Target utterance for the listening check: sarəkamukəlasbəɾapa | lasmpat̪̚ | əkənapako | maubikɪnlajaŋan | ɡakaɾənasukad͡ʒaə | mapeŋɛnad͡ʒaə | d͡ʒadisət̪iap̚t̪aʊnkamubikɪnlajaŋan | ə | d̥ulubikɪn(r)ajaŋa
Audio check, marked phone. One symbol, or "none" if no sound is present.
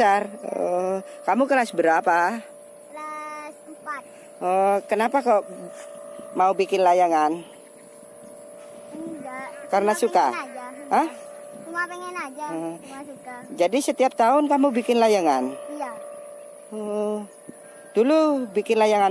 l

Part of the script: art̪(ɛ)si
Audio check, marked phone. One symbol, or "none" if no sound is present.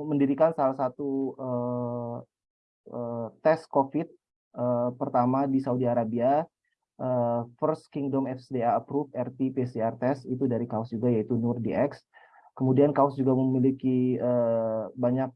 ɛ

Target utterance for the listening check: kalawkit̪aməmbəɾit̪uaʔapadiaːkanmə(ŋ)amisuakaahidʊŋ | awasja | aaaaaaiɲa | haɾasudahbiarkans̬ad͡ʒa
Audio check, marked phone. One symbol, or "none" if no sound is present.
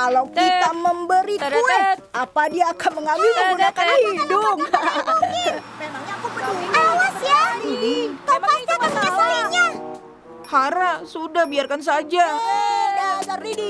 ŋ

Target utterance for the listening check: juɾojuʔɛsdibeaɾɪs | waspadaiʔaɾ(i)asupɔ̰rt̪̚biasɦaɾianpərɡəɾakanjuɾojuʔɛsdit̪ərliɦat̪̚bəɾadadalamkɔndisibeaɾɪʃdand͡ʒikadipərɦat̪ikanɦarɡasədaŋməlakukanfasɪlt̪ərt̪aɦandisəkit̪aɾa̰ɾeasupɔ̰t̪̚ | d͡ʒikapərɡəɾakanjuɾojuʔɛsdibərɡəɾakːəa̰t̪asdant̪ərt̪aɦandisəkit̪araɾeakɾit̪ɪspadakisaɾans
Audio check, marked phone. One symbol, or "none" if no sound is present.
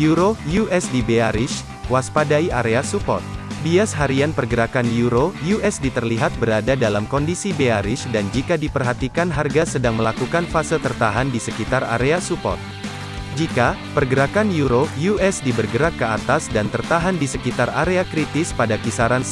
e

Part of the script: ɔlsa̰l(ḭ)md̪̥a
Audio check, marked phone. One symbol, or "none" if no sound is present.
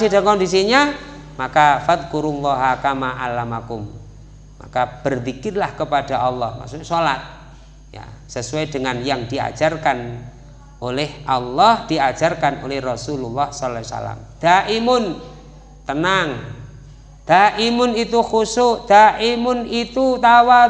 a̰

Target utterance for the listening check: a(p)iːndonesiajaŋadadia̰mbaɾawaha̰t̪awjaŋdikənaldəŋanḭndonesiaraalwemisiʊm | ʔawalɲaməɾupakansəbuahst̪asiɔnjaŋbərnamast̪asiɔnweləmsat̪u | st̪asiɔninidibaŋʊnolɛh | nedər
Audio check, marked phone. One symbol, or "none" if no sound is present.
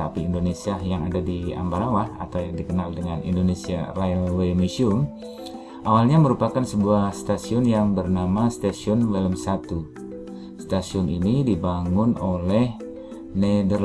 p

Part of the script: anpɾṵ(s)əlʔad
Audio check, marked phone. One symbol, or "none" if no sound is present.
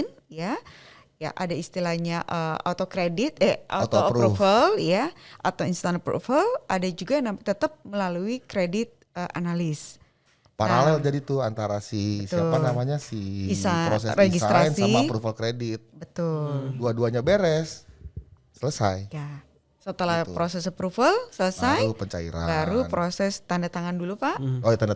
f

